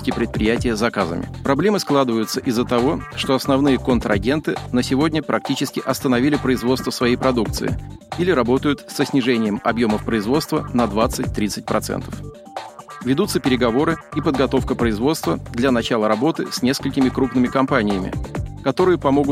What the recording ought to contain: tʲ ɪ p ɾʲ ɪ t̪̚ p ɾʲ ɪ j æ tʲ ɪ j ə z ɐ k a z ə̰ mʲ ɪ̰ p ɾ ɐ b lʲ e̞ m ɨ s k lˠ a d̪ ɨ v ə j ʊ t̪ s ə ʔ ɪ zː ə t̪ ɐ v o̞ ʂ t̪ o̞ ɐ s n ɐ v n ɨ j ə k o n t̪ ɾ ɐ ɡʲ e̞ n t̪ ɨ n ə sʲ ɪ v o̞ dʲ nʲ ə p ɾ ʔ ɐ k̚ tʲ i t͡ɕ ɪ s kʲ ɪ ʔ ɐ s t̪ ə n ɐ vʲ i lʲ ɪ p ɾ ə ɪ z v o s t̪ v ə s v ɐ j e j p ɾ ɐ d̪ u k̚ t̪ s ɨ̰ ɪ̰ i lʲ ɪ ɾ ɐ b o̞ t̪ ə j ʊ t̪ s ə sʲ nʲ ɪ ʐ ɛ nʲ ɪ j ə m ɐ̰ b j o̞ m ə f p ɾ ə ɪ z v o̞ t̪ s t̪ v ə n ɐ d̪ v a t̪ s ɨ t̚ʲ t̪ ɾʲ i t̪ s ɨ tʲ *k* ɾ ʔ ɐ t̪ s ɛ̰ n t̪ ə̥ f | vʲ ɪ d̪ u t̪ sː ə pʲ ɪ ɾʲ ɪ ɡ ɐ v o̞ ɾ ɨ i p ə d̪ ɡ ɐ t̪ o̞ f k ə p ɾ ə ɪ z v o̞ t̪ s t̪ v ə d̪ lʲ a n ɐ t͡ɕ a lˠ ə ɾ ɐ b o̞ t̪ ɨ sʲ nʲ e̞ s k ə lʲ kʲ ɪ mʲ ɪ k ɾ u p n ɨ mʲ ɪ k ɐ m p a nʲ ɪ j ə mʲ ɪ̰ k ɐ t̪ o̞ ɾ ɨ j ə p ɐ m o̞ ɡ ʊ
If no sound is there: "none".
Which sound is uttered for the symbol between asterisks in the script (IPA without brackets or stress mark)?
p